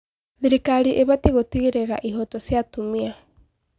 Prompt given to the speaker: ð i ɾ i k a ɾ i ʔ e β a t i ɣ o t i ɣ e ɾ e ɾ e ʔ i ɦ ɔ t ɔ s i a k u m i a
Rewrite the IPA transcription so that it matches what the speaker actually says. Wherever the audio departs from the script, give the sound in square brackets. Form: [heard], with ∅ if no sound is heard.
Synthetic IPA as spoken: ð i ɾ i k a ɾ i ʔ e β a t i ɣ o t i ɣ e ɾ e ɾ [a] ʔ i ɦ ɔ t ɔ s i a [t] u m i a